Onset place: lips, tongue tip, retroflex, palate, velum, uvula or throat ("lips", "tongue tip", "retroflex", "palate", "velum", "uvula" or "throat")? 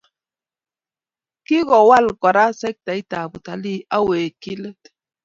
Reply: velum